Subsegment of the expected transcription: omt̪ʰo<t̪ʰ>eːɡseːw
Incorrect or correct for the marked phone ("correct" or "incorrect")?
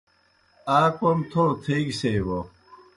correct